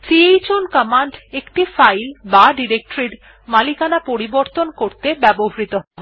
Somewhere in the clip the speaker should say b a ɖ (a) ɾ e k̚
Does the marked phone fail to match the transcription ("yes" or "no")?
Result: yes